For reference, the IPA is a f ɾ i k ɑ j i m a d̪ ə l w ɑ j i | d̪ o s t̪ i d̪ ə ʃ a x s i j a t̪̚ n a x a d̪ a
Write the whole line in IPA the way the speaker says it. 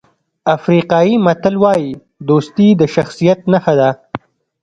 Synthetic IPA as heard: a f ɾ i q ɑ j i m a t̪ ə l w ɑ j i | d̪ o s t̪ i d̪ ə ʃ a x s i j a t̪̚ n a x a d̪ a

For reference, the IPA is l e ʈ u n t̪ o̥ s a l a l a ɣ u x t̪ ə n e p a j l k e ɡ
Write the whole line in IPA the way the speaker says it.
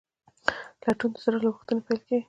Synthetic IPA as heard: l a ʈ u n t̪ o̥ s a ɾ a l a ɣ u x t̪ ə n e p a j l k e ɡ

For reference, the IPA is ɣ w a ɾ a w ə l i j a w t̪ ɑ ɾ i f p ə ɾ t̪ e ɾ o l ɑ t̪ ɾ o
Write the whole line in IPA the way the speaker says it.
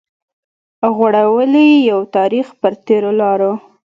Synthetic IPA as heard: ɣ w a ɽ a w ə l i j a w t̪ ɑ ɾ i x p ə ɾ t̪ e ɾ o l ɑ ɾ o

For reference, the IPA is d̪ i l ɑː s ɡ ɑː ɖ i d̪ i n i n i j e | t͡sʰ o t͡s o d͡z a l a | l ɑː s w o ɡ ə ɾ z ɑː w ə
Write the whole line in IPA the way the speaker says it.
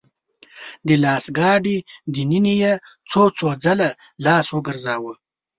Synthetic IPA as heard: d̪ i l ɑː s ɡ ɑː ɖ i d̪ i n i n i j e | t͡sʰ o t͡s o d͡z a l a | l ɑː s w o ɡ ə ɾ z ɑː w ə

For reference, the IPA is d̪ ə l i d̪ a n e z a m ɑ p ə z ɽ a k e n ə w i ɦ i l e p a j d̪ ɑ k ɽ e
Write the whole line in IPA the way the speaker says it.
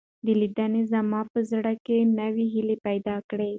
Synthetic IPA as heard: d̪ ə l i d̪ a n e z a m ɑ p ə z ɽ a k e n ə w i ɦ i l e p a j d̪ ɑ k ɽ e

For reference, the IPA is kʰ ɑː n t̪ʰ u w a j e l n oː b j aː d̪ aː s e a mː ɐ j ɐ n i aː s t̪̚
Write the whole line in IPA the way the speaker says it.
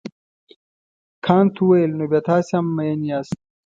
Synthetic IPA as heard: kʰ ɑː n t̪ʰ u w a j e l n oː b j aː t̪ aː s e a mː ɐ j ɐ n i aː s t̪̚

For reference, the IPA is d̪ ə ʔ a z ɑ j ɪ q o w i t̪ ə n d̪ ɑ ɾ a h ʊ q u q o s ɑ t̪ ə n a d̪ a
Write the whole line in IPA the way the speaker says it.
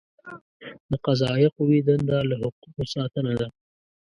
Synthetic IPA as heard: d̪ ə q a z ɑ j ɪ q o w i d̪ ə n d̪ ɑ l a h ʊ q u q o s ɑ t̪ ə n a d̪ a

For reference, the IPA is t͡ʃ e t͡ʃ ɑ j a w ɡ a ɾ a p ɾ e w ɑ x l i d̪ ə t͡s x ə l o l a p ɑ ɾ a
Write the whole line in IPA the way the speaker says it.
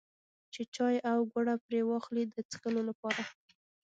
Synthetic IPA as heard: t͡ʃ e t͡ʃ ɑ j a w ɡ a ɽ a p ɾ e w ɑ x l i d̪ ə t͡s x ə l o l a p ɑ ɾ a

